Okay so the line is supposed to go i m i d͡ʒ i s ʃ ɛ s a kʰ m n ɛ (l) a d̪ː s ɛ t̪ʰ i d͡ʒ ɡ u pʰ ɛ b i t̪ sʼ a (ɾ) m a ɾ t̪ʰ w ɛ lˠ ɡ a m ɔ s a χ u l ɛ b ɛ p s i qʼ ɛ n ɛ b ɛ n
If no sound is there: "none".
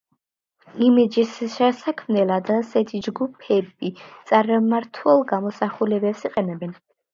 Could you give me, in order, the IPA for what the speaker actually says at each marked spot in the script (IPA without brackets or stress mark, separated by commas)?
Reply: l, ɾ